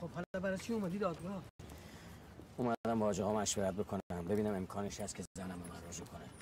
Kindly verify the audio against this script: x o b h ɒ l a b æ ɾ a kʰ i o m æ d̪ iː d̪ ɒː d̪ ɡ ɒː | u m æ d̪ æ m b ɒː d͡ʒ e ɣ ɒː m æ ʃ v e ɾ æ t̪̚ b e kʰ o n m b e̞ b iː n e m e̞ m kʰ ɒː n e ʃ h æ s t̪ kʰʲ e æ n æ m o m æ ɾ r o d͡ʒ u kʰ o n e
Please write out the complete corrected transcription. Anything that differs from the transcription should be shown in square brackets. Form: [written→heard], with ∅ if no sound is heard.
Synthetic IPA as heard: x o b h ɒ l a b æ ɾ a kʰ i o m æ d̪ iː d̪ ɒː d̪ ɡ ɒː | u m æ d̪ æ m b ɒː d͡ʒ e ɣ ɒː m æ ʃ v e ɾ æ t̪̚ b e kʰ o n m b e̞ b iː n [e→æ] m e̞ m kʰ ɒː n e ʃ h æ s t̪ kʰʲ e æ n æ m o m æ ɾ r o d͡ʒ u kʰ o n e